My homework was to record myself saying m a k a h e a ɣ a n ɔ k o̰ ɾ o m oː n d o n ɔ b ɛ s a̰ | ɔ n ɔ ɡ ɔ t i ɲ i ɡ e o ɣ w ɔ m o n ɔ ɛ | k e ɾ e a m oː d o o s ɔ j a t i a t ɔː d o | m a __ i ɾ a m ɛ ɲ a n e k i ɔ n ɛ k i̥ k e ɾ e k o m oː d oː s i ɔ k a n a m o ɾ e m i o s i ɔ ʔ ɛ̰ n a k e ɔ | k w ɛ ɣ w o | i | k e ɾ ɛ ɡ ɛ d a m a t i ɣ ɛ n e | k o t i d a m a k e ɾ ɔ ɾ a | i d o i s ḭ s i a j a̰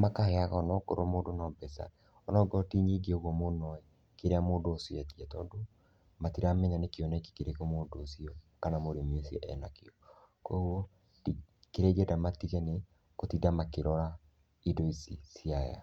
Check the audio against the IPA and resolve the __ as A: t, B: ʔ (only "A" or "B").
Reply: A